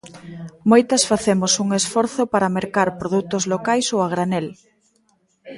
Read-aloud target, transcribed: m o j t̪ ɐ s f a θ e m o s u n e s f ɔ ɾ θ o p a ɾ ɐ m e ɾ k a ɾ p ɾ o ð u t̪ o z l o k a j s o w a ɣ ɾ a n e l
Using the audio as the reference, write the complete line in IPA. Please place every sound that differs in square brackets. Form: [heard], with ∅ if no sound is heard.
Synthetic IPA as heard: m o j t̪ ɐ s f a θ e m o s u [ŋ] e s f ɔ ɾ θ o p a ɾ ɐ m e ɾ k a ɾ p ɾ o ð u t̪ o z l o k a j s o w a ɣ ɾ a n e l